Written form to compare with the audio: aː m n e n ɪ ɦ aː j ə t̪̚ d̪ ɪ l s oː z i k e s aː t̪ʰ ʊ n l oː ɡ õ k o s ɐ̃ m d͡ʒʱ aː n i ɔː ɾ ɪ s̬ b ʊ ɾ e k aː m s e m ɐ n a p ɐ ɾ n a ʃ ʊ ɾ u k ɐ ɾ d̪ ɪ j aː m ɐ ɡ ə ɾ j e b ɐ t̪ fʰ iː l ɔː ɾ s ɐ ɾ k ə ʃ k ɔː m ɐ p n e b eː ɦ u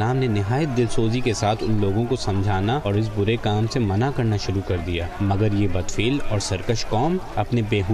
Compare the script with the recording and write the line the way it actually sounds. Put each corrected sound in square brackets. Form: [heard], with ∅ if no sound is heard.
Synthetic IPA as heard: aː m n e n ɪ ɦ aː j ə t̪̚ d̪ ɪ l s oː z i k e s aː t̪ʰ ʊ n l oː ɡ õ k o s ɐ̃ m d͡ʒʱ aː n [a] ɔː ɾ ɪ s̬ b ʊ ɾ e k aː m s e m ɐ n a [k] ɐ ɾ n a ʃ ʊ ɾ u k ɐ ɾ d̪ [i] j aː m ɐ ɡ ə ɾ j e b ɐ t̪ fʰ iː l ɔː ɾ s ɐ ɾ k ə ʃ k ɔː m ɐ p n e b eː ɦ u